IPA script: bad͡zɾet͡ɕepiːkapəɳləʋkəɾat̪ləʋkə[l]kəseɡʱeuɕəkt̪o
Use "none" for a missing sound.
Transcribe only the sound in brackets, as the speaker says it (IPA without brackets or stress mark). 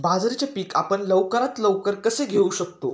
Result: ɾ